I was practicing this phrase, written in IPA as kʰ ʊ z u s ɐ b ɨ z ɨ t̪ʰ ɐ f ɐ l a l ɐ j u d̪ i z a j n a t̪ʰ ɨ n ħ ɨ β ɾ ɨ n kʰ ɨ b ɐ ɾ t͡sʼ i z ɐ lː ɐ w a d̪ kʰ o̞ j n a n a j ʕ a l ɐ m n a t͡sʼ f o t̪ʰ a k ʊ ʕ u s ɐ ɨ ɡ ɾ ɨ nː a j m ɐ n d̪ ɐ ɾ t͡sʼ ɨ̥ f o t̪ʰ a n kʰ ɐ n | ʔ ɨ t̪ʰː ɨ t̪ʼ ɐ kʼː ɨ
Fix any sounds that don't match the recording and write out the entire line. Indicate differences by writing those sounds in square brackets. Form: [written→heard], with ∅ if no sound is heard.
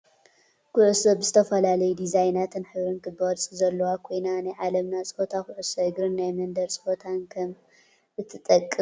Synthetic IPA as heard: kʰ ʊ [z→ʕ] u s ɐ b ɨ z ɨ t̪ʰ ɐ f ɐ l a l ɐ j u d̪ i z a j n a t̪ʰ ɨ n ħ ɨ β ɾ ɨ n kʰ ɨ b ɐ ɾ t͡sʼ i z ɐ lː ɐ w a [d̪→∅] kʰ o̞ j n a n a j ʕ a l ɐ m n a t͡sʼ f o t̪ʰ a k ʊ ʕ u s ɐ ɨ ɡ ɾ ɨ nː a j m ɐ n d̪ ɐ ɾ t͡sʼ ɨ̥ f o t̪ʰ a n kʰ ɐ [n→m] | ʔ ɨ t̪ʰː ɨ t̪ʼ ɐ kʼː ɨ